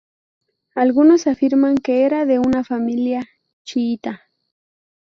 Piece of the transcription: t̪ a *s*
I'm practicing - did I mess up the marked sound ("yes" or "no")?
yes